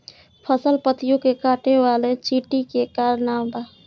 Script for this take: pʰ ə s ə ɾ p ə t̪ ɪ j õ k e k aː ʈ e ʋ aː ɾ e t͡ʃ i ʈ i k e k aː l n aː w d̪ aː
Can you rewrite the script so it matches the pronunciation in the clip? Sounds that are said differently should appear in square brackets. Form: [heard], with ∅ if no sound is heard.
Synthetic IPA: pʰ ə s ə [l] p ə t̪ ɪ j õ k e k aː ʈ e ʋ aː [l] e t͡ʃ i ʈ i k e k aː [ɾ] n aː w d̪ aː